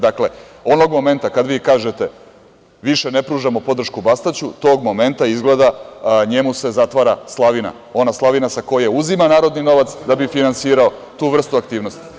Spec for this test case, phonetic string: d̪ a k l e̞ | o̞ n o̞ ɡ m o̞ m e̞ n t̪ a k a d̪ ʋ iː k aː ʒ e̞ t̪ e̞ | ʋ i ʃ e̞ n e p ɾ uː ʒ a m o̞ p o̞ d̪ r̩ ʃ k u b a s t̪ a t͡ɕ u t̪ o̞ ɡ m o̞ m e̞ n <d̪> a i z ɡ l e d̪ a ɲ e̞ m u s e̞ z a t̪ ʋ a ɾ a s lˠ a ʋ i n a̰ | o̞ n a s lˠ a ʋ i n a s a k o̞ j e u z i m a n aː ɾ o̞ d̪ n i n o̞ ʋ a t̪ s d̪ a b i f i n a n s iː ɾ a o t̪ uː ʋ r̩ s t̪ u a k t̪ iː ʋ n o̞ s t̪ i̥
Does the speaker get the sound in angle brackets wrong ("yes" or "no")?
yes